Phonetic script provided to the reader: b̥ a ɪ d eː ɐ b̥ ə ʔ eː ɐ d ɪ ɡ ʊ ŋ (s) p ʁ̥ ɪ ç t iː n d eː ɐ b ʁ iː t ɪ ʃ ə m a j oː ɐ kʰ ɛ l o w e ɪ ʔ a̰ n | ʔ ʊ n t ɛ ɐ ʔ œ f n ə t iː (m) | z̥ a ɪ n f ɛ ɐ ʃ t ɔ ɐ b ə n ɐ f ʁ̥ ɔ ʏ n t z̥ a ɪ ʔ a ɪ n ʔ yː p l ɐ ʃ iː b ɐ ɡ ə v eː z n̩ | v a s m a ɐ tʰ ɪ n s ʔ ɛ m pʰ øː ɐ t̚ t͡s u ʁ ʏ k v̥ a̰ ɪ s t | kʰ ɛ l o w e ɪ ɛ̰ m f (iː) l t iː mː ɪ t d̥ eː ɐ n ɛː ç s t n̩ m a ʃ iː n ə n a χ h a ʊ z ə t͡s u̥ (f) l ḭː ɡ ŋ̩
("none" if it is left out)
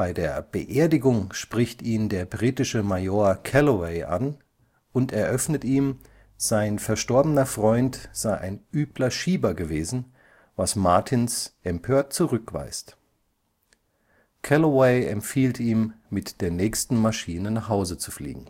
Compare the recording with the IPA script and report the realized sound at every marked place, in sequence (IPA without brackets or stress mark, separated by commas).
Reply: ʃ, m, iː, f